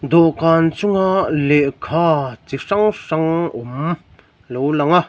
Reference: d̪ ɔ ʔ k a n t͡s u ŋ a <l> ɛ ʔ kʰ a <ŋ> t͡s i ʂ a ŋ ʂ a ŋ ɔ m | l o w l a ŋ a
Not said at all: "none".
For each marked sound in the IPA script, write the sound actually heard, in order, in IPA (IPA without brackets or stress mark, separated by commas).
l, none